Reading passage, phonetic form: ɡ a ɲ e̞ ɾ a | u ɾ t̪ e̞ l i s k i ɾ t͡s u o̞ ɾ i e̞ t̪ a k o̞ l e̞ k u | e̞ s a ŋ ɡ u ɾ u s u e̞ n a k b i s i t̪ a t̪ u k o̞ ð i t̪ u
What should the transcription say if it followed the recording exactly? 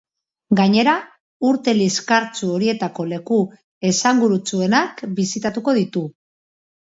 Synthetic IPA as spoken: ɡ a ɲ e̞ ɾ a | u ɾ t̪ e̞ l i s k a ɾ t͡s u o̞ ɾ i e̞ t̪ a k o̞ l e̞ k u | e̞ s a ŋ ɡ u ɾ u t͡s u e̞ n a k b i s i t̪ a t̪ u k o̞ ð i t̪ u